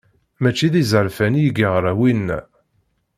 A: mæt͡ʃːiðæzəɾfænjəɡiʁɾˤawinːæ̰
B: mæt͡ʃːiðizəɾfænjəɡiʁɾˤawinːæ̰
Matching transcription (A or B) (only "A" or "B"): B